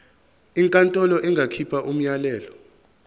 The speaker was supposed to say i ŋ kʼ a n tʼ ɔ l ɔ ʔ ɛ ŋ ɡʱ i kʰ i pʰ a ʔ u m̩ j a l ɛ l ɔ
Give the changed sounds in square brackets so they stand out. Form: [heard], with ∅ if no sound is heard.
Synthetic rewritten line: i ŋ kʼ a n tʼ ɔ l ɔ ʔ ɛ ŋ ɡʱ [a] kʰ i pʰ a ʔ u m̩ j a l [ɛː] l ɔ

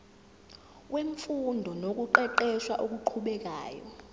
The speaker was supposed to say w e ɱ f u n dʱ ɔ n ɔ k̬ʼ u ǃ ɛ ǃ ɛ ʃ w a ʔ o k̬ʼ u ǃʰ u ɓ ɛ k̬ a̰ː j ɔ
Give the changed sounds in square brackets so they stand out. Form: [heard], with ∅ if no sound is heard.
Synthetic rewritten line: w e ɱ f u n dʱ ɔ n [o] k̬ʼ u ǃ ɛ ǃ ɛ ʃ w a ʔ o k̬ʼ u ǃʰ u ɓ ɛ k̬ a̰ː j ɔ

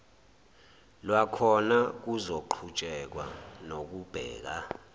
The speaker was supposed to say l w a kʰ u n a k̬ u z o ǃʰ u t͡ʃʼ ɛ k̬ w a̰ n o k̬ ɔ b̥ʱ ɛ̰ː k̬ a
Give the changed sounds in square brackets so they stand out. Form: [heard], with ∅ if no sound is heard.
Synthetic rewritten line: l w a kʰ [ɔ] n a k̬ u z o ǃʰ u t͡ʃʼ ɛ k̬ w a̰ n o k̬ [u] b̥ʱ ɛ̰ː k̬ a

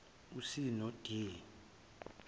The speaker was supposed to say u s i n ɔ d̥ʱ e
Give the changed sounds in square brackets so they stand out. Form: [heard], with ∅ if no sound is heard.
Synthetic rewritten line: u s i n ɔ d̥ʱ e

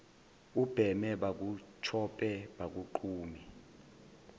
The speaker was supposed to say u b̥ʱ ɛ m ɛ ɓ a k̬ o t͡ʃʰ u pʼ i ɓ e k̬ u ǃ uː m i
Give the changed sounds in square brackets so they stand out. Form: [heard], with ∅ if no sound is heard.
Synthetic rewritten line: u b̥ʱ ɛ m ɛ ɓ a k̬ [u] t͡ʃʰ [ɔ] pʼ [ɛ] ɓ [a] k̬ u ǃ uː m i

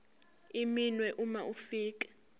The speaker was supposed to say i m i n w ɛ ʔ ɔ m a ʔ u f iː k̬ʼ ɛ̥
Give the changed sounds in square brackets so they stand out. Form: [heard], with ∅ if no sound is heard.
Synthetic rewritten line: i m i n w ɛ ʔ [u] m a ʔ u f iː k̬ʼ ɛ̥

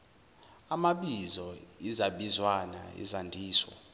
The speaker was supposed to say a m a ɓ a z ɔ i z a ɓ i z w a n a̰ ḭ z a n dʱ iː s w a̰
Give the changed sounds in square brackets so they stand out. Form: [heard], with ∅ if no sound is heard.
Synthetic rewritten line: a m a ɓ [i] z ɔ i z a ɓ i z w a n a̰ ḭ z a n dʱ iː s w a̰

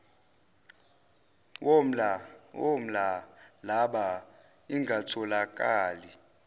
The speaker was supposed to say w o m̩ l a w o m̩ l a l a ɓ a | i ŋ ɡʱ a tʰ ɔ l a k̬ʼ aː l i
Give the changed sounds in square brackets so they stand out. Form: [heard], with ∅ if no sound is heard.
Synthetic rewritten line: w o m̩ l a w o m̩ l a l a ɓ a | i ŋ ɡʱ a tʰ ɔ l a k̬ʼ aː l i

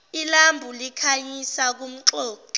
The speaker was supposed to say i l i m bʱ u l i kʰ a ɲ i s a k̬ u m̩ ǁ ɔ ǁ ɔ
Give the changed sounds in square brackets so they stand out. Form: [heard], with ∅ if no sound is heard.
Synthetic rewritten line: i l [a] m bʱ u l i kʰ a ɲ i s a k̬ u m̩ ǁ [ɔː] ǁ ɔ

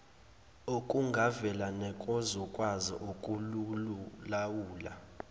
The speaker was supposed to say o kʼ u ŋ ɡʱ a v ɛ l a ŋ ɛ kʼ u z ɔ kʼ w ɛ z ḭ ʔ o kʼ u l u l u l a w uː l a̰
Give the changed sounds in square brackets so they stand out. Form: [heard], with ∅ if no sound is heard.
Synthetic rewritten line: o kʼ u ŋ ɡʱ a v ɛ l a [n] ɛ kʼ [ɔ] z ɔ kʼ w [a] z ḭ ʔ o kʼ u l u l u l a w uː l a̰

